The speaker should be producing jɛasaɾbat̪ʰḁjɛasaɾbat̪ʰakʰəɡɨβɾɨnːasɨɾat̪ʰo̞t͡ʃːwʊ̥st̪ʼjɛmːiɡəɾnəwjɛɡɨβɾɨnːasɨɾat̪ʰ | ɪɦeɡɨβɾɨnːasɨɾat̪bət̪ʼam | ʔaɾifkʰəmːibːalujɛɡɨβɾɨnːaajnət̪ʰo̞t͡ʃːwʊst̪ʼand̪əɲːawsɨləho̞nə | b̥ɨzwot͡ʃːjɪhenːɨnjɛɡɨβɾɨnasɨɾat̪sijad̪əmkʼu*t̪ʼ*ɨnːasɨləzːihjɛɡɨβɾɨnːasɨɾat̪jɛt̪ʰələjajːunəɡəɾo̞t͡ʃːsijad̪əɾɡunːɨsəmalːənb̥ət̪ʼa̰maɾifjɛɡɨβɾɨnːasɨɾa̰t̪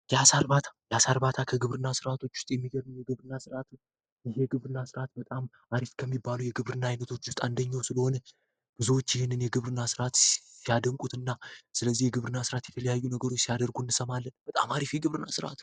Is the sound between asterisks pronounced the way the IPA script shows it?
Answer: no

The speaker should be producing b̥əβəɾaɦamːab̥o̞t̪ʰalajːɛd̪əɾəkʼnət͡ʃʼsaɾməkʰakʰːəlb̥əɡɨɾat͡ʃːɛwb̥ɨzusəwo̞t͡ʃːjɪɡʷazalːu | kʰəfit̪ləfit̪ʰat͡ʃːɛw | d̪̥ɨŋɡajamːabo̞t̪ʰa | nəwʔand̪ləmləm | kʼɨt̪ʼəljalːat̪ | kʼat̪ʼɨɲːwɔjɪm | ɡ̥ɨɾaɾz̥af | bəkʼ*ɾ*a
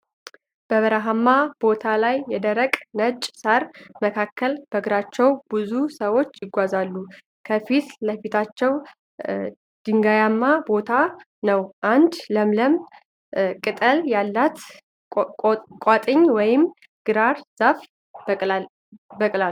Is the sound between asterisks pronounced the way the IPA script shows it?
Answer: no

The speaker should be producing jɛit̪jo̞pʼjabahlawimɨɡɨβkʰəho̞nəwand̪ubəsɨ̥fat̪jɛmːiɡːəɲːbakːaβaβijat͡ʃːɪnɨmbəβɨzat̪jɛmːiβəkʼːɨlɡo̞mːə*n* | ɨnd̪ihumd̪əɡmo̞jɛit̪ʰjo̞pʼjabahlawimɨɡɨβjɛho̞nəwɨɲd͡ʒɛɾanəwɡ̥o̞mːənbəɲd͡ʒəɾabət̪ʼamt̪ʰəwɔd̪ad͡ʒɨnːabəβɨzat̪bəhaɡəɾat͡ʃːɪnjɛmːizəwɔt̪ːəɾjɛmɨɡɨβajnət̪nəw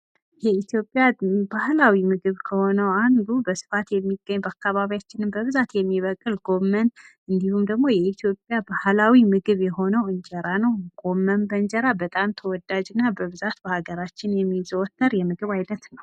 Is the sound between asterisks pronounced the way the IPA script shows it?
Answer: yes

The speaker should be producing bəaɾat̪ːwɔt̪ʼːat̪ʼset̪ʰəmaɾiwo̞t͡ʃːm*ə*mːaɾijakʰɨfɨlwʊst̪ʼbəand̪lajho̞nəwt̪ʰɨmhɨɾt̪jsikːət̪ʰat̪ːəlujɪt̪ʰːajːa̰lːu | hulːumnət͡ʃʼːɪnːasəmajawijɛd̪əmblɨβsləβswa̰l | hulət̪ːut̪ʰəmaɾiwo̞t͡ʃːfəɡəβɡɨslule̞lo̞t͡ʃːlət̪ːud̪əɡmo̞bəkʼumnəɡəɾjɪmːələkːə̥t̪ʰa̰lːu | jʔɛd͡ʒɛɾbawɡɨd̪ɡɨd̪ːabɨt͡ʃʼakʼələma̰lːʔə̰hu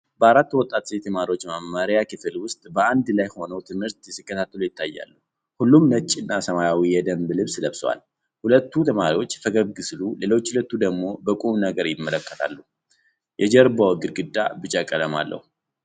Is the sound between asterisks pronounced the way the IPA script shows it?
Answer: no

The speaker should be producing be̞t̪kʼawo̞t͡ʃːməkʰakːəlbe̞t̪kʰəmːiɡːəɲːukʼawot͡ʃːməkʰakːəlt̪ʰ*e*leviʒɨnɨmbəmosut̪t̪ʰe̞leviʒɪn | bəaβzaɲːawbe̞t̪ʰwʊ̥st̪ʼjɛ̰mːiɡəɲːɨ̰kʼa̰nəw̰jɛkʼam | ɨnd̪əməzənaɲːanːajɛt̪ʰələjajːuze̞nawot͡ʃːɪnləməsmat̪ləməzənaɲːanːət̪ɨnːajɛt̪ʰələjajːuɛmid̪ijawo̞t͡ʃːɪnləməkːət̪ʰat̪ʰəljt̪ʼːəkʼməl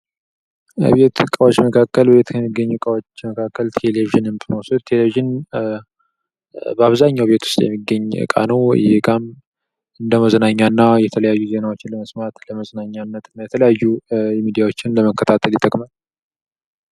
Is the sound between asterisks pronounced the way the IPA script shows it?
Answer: yes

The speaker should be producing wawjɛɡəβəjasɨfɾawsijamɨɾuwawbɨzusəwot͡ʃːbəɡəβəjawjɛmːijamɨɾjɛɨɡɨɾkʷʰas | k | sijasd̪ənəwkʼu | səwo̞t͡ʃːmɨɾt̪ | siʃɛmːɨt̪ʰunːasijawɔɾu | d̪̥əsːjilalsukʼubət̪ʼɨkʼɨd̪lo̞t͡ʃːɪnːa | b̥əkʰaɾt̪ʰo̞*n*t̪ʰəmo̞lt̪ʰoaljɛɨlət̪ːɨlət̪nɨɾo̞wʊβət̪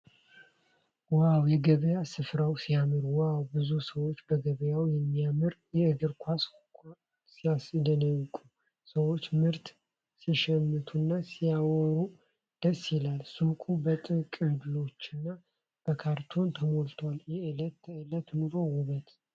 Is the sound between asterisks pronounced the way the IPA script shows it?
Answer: yes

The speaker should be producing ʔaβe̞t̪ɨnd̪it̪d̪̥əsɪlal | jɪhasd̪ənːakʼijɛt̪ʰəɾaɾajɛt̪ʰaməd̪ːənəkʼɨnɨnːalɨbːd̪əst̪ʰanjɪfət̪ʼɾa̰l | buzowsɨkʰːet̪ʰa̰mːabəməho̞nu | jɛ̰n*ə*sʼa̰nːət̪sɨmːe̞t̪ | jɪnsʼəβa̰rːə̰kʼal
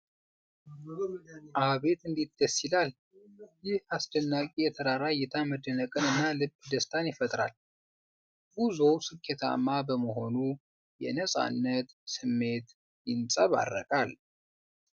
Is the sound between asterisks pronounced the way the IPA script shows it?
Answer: yes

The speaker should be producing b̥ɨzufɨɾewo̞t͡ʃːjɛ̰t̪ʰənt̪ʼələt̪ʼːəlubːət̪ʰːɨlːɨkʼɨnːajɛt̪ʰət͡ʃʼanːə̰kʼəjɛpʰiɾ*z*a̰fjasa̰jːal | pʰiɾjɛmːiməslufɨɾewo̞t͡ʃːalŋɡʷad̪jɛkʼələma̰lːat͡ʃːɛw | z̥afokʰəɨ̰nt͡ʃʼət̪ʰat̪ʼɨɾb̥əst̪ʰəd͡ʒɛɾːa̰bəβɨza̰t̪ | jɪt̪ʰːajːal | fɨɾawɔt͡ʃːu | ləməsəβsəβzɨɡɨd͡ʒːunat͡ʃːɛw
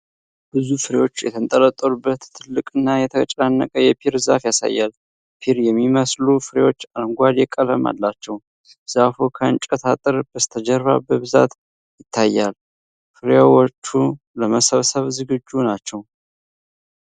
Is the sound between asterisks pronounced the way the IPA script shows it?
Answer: yes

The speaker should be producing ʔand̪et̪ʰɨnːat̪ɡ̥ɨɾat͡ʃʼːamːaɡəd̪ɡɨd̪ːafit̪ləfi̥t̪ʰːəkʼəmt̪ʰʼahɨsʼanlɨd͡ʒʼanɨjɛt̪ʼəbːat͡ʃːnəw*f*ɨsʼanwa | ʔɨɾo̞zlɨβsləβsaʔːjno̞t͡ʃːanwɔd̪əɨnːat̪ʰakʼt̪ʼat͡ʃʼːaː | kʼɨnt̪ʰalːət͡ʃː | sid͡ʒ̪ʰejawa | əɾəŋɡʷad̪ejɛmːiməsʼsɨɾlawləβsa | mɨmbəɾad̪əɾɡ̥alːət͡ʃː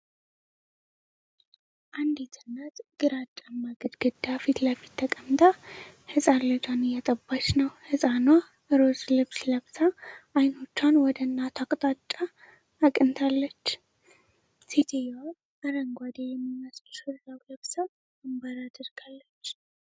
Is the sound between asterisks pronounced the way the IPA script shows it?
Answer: no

